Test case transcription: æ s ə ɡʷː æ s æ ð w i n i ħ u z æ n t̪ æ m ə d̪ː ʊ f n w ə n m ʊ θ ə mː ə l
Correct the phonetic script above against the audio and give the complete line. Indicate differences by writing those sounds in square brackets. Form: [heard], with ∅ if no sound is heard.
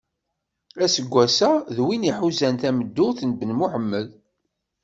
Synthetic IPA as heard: æ s ə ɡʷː æ s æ ð w i n i ħ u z æ n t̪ æ m ə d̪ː ʊ [θ] n [b] ə n m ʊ [ħ] ə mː ə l